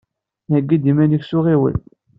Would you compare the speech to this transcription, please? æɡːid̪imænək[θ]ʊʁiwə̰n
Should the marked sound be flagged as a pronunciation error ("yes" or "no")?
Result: yes